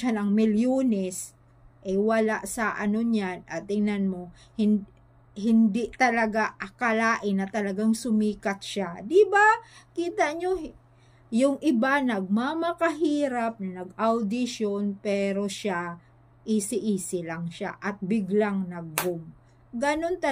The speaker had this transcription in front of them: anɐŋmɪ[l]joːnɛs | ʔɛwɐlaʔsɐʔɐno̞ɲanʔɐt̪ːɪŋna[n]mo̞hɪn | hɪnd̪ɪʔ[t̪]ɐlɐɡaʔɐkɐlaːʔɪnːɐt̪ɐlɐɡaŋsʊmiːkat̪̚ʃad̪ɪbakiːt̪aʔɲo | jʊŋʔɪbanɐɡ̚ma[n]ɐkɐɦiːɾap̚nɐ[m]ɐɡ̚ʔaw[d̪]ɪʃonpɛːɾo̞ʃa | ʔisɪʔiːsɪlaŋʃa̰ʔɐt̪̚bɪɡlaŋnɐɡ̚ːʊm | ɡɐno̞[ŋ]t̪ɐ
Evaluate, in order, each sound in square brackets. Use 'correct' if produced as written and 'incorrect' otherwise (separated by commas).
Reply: correct, correct, correct, incorrect, incorrect, correct, incorrect